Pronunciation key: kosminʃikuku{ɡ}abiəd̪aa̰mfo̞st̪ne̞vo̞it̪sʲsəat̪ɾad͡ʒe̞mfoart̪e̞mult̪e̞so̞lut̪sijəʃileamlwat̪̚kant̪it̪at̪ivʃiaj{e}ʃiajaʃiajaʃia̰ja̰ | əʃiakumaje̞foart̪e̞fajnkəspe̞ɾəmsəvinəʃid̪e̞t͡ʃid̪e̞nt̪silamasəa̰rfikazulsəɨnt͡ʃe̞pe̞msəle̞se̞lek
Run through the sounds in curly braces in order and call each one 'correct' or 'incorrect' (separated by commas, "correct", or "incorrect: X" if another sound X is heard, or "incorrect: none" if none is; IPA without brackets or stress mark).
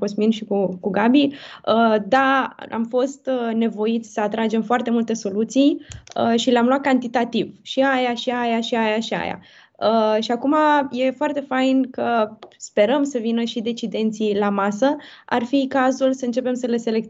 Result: correct, incorrect: a